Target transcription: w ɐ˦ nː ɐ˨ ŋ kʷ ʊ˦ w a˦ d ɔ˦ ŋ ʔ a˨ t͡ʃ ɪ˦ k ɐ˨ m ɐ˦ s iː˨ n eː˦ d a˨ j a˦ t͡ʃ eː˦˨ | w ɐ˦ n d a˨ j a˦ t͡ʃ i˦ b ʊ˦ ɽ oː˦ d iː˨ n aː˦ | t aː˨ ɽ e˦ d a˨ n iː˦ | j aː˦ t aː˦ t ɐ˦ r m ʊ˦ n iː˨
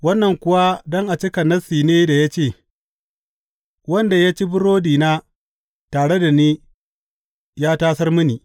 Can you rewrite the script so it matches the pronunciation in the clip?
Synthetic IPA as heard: w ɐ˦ nː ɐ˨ ŋ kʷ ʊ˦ w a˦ d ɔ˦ ŋ ʔ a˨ t͡ʃ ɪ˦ k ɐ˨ n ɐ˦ s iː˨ n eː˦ d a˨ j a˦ t͡ʃ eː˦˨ | w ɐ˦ n d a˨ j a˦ t͡ʃ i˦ b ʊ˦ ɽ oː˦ d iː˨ n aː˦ | t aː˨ ɽ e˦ d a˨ n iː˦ | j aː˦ t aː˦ s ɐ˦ r m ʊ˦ n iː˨